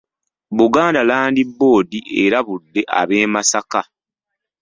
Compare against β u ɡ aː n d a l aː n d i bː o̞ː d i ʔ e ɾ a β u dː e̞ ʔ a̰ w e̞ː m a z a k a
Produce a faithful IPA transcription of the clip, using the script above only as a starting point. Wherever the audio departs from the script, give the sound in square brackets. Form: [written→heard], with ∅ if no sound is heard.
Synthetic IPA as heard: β u ɡ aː n d a l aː n d i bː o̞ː d i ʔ e ɾ a β u dː e̞ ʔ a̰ [w→β] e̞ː m a [z→s] a k a